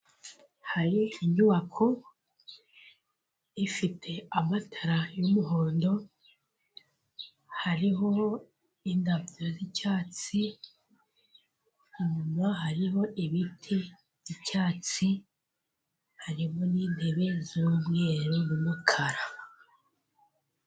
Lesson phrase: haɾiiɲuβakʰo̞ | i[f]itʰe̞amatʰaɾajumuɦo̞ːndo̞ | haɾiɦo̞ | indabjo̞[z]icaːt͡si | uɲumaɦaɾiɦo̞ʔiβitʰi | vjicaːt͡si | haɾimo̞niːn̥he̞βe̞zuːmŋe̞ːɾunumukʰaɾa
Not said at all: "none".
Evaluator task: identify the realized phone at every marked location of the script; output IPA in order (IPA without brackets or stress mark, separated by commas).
f, z